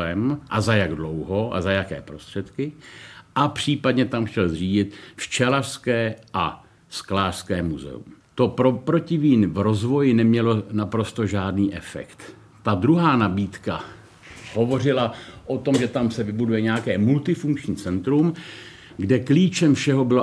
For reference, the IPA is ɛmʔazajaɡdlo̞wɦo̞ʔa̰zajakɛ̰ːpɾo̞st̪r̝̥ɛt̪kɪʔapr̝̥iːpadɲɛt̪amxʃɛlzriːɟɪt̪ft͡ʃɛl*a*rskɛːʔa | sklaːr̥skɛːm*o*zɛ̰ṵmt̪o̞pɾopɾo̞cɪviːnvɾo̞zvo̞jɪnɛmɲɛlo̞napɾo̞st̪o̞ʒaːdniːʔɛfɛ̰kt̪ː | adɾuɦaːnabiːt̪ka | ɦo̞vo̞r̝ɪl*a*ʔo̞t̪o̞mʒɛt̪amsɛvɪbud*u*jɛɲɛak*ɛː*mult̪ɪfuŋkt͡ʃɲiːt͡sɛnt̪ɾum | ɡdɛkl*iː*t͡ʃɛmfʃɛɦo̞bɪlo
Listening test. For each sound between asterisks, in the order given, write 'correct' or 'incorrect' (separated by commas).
correct, incorrect, correct, correct, correct, correct